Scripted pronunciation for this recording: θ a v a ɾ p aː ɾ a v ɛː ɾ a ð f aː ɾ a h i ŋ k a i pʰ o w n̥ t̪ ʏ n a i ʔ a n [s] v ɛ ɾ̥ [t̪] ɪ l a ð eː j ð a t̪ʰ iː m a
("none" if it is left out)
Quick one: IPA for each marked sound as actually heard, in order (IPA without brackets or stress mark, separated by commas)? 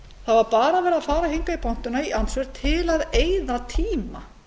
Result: s, t̪ʰ